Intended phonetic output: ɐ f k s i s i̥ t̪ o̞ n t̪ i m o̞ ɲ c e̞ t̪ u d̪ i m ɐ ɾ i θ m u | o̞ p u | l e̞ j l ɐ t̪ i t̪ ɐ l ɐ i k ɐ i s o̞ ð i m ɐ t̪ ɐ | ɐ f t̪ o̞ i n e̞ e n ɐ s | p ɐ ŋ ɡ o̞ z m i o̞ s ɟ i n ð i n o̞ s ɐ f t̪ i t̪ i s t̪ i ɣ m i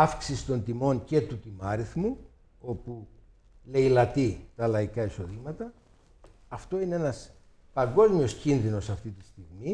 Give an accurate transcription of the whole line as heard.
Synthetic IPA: ɐ f k s i s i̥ t̪ o̞ n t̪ i m o̞ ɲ c e̞ t̪ u t̪ i m ɐ ɾ i θ m u | o̞ p u | l e̞ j l ɐ t̪ i t̪ ɐ l ɐ i k ɐ i s o̞ ð i m ɐ t̪ ɐ | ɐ f t̪ o̞ i n e̞ e n ɐ s | p ɐ ŋ ɡ o̞ z m i o̞ s c i n ð i n o̞ s ɐ f t̪ i t̪ i s t̪ i ɣ m i